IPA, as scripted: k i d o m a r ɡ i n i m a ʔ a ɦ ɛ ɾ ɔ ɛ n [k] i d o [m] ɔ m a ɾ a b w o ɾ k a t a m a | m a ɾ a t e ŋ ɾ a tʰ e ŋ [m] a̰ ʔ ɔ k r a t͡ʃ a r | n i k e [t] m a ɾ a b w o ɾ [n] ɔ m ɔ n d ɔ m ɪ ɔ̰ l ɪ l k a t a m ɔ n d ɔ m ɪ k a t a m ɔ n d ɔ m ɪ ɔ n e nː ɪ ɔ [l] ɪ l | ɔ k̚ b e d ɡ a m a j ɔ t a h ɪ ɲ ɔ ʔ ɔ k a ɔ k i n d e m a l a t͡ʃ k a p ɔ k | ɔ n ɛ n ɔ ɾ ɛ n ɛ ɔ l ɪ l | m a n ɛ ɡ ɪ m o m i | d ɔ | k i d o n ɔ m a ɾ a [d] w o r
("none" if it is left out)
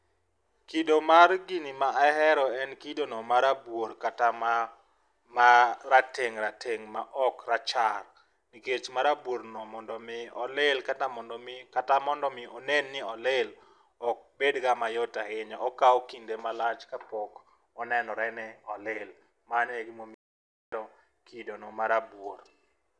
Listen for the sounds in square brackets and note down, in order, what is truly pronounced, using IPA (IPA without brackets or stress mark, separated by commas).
k, n, m, t͡ʃ, n, l, b